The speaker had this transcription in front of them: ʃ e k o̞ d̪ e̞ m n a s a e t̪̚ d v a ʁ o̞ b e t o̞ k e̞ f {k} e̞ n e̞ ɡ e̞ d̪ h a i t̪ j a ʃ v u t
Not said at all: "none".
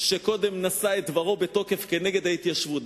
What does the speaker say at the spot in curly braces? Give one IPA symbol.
k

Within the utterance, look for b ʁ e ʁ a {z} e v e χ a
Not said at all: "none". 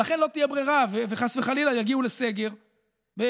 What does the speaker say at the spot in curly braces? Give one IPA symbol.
v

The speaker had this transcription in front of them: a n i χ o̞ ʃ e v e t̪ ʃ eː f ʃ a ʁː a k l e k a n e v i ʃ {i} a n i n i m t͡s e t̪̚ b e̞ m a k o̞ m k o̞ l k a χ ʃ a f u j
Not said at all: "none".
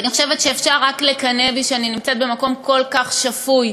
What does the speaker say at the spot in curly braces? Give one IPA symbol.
e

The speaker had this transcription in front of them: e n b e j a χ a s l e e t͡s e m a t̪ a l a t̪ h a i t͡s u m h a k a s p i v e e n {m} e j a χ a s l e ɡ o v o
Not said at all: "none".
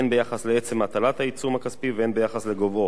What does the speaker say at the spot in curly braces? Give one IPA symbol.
b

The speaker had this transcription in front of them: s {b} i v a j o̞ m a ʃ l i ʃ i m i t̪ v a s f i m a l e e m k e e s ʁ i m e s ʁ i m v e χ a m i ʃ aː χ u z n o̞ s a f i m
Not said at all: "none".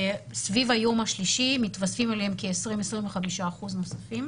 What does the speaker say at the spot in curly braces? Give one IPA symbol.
v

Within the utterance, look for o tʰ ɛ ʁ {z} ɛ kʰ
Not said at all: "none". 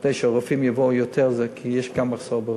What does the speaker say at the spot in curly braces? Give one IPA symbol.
z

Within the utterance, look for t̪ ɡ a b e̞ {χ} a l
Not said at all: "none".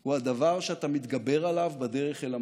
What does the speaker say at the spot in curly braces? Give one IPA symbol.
ʁ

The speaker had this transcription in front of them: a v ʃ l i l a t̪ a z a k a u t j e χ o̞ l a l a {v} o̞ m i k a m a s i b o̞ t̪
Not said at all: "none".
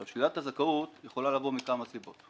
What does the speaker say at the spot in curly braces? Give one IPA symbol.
v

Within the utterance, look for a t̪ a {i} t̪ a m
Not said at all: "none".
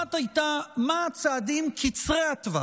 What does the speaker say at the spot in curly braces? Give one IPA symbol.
j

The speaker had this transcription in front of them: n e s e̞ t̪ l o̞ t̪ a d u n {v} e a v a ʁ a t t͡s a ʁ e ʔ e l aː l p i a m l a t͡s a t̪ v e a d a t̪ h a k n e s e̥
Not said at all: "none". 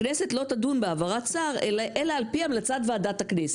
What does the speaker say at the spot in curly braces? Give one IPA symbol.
b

